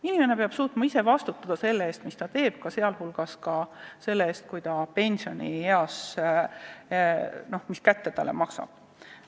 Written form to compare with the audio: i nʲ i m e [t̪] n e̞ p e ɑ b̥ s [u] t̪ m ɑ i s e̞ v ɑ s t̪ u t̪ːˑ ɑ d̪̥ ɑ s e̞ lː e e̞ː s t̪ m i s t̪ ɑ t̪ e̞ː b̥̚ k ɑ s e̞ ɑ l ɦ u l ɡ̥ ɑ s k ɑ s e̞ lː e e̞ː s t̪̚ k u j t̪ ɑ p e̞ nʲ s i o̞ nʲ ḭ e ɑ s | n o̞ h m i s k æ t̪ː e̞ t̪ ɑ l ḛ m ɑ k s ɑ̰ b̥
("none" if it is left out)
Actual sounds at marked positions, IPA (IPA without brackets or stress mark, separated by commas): none, uː